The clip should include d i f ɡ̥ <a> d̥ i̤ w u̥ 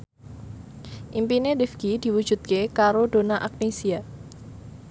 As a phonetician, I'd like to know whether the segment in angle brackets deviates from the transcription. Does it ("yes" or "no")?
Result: yes